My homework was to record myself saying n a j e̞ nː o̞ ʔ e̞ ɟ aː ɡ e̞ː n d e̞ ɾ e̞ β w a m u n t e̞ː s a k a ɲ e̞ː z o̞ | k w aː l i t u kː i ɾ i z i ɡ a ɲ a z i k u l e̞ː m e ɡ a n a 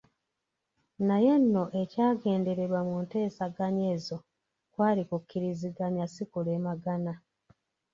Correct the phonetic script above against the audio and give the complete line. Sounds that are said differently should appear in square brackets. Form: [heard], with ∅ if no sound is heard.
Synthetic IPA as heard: n a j e̞ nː o̞ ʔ e̞ [c] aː ɡ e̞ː n d e̞ ɾ e̞ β w a m u n t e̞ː s a [ɡ] a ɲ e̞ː z o̞ | k w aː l i [k] u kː i ɾ i z i ɡ a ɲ a [s] i k u l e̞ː m [a] ɡ a n a